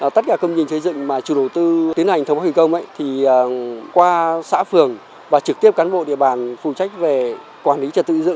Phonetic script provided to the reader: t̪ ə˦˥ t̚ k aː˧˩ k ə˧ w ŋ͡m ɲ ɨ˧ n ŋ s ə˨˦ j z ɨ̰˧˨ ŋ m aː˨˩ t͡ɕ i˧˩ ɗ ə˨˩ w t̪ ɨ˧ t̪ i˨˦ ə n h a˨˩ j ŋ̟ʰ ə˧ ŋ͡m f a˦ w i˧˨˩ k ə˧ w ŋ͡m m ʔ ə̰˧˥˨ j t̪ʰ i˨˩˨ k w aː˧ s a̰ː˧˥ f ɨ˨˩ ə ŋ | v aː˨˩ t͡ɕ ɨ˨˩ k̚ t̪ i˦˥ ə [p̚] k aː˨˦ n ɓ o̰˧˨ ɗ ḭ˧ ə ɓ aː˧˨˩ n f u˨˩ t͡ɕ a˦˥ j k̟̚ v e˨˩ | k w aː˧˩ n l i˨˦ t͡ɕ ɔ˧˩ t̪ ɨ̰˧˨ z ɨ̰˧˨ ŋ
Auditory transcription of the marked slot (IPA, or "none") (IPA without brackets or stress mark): p̚